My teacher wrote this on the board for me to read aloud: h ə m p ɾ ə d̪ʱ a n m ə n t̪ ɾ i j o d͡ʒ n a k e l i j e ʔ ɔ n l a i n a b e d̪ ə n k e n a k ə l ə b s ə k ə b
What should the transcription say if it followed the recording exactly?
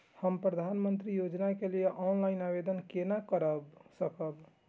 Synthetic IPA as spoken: h ə m p ɾ ə d̪ʱ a n m ə n t̪ ɾ i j o d͡ʒ n a k e l i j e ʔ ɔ n l a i n a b e d̪ ə n k e n a k ə ɾ ə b s ə k ə b